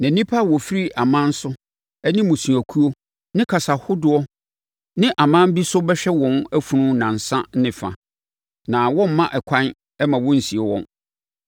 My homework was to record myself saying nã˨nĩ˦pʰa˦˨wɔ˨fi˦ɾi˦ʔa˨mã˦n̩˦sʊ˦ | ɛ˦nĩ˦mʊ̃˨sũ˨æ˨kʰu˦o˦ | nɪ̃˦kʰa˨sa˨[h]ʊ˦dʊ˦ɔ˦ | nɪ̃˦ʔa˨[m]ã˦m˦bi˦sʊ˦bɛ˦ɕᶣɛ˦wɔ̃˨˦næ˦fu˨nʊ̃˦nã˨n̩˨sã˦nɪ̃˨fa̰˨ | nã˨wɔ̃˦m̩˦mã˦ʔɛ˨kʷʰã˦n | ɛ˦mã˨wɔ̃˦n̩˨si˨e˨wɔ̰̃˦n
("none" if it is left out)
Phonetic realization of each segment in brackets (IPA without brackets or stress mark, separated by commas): h, m